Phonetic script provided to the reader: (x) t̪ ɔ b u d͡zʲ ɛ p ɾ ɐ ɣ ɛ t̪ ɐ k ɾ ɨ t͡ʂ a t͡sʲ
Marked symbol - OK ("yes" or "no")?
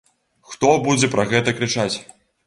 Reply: yes